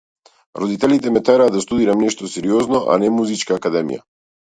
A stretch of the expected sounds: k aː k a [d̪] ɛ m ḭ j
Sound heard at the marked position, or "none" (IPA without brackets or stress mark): d̪